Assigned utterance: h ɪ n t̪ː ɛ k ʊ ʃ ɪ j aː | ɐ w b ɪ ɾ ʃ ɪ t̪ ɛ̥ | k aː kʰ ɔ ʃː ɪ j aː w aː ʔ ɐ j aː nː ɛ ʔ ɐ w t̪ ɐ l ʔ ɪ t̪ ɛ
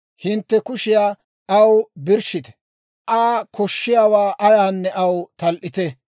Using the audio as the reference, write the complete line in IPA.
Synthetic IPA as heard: h ɪ n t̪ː ɛ k ʊ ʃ ɪ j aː | ɐ w b ɪ ɾ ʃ ɪ t̪ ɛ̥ | ʔ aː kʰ ɔ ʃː ɪ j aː w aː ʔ ɐ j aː nː ɛ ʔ ɐ w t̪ ɐ l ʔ ɪ t̪ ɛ